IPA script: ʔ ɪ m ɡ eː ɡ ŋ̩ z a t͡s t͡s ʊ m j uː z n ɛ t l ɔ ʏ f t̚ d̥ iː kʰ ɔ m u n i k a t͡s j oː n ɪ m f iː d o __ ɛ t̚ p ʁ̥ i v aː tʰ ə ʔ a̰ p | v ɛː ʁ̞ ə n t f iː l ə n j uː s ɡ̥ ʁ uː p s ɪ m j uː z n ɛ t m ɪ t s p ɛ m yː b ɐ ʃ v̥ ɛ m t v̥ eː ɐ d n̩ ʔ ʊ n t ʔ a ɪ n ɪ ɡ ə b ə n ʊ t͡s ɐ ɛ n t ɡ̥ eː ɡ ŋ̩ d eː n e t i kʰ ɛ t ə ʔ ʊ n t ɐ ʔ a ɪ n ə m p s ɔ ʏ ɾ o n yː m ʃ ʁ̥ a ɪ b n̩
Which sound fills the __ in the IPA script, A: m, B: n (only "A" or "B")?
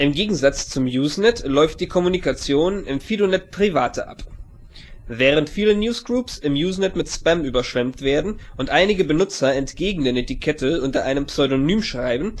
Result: B